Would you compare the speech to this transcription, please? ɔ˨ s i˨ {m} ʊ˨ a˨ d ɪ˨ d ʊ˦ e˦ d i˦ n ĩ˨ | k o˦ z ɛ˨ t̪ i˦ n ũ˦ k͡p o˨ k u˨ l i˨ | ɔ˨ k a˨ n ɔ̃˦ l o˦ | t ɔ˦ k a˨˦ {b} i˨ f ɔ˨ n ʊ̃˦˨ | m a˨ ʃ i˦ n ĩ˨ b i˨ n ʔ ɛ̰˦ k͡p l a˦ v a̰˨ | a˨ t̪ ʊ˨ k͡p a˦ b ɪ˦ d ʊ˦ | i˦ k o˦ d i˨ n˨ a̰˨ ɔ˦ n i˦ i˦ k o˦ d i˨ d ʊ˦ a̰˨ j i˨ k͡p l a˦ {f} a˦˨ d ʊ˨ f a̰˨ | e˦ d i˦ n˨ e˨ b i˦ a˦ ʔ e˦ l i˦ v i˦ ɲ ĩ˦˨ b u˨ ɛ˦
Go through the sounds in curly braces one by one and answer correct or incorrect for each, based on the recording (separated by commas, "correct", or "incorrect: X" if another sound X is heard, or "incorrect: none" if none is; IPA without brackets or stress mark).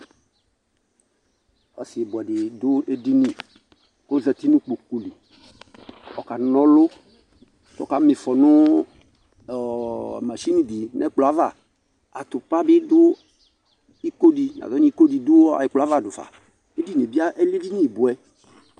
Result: incorrect: b, incorrect: m, incorrect: v